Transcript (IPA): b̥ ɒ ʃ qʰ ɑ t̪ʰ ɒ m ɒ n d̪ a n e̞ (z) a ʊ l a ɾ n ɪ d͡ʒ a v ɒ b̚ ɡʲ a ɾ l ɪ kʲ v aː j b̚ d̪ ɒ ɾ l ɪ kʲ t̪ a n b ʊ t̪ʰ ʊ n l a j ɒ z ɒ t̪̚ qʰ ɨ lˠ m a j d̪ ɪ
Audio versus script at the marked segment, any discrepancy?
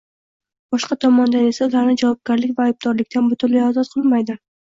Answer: yes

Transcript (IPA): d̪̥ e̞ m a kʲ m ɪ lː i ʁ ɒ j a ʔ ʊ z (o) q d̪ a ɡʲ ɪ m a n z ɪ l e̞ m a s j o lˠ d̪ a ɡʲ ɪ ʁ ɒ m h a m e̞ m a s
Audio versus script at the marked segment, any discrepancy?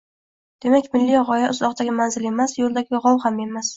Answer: yes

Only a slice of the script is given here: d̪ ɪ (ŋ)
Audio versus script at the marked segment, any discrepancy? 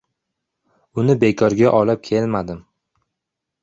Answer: yes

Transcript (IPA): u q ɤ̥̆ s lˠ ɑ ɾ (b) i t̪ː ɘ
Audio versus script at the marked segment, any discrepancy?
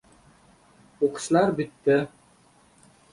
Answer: no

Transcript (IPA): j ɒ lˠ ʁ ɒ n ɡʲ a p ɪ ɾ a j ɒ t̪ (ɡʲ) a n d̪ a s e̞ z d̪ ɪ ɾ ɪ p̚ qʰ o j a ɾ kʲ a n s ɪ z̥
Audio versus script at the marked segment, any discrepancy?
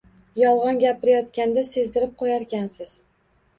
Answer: yes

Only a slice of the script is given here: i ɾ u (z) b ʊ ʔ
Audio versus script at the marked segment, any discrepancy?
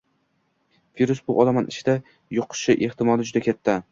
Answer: yes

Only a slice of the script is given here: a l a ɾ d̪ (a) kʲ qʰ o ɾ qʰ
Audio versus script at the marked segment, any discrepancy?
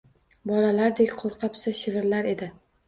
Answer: yes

